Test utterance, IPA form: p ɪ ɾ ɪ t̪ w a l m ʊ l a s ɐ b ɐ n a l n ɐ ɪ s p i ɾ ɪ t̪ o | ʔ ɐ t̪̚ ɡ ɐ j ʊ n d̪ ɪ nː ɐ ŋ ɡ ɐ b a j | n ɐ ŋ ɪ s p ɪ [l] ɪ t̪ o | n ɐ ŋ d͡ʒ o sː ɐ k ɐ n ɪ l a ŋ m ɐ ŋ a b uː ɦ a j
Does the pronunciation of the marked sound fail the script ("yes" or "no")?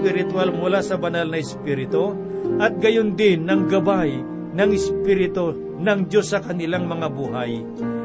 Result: yes